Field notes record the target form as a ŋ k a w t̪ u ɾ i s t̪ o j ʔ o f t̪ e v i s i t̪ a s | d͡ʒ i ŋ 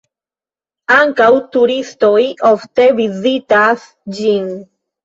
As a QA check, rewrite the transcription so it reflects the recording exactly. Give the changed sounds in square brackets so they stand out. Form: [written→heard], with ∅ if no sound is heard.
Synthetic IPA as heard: a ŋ k a w t̪ u ɾ i s t̪ o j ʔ o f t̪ e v i [s→z] i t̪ a s | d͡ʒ i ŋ